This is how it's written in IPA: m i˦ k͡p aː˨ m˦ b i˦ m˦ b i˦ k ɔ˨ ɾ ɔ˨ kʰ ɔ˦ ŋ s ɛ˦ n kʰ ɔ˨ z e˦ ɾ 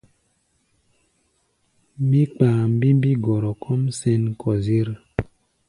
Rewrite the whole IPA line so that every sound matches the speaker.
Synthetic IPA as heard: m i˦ k͡p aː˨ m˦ b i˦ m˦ b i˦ ɡ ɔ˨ ɾ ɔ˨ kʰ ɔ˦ m s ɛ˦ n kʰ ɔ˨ z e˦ ɾ